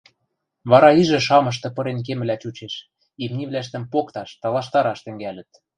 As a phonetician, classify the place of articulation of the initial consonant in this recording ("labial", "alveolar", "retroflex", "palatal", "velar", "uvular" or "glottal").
labial